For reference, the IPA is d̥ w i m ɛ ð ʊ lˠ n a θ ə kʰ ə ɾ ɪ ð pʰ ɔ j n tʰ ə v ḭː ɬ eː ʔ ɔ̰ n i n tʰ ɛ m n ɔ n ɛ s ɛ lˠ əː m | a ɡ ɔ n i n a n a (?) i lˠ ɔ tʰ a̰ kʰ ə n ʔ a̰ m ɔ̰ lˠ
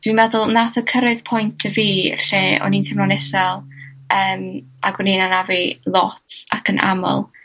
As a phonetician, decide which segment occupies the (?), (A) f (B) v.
B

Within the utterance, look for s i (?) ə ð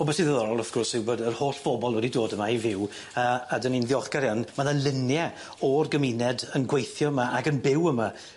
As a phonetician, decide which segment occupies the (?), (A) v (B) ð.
B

